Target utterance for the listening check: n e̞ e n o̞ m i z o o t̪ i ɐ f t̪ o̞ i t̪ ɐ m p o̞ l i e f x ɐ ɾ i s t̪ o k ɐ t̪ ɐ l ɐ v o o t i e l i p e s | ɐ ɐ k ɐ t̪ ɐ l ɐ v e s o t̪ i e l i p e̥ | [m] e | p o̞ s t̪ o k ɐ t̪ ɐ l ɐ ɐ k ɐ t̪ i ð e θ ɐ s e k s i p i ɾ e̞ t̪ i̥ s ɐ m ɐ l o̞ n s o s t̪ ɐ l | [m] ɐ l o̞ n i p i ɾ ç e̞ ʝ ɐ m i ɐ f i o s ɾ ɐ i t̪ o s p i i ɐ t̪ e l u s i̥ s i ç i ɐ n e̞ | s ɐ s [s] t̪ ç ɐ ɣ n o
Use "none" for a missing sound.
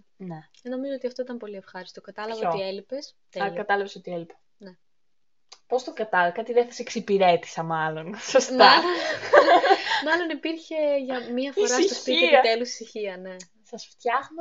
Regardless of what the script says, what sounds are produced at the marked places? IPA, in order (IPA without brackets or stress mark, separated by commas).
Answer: n, m, f